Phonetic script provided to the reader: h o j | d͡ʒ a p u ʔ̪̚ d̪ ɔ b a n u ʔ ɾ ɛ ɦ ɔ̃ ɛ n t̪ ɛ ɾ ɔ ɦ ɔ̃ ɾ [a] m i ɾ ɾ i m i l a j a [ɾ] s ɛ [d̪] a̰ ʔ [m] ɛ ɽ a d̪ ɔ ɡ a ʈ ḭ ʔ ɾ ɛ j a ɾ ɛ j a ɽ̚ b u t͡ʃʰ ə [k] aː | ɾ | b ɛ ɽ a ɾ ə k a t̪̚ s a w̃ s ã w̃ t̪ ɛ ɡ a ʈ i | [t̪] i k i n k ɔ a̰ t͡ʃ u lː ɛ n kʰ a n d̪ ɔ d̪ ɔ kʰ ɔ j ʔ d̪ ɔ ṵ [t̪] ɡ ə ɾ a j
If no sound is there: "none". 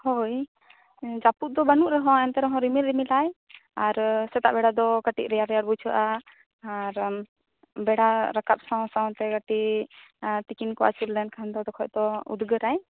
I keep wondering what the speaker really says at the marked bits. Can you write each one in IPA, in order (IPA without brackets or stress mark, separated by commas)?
i, ɾ, t̪, b, ʔ, t̪, d̪